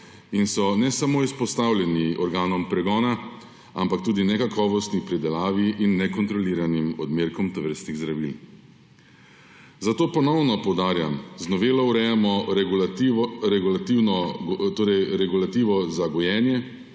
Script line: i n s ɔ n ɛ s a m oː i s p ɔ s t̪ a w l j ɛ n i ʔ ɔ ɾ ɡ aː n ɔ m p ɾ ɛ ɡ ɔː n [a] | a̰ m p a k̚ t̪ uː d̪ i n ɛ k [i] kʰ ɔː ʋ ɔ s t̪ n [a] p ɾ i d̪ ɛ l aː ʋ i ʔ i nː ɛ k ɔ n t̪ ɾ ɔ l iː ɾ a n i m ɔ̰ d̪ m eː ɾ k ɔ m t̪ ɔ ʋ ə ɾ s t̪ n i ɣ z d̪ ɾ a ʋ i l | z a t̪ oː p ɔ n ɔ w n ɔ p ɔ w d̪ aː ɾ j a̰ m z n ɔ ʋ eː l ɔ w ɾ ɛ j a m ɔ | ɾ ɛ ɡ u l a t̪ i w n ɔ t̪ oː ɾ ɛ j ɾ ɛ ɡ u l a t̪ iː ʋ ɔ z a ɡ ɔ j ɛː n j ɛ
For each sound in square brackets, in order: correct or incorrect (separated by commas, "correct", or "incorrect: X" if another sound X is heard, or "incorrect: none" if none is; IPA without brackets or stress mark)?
correct, incorrect: a, incorrect: i